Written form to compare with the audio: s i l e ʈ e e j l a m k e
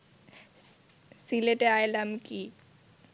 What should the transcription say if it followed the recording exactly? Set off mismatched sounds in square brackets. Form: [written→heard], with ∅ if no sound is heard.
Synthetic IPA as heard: s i l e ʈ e [e→a] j l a m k [e→i]